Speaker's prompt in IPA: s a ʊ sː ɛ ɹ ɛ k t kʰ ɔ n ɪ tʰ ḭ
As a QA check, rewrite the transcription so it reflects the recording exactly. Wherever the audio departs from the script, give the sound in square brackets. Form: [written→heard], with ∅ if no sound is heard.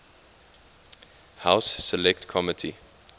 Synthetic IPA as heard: [s→h] a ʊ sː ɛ [ɹ→l] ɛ k t kʰ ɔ [n→m] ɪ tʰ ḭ